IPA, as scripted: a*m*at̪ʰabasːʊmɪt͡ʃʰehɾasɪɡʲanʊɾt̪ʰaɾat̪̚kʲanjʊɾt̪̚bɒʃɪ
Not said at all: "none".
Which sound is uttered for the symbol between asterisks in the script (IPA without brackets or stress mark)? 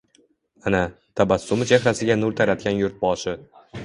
n